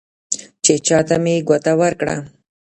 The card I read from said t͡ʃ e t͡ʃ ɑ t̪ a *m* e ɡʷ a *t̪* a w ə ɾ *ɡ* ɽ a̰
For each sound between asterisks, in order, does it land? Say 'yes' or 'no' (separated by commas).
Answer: yes, yes, no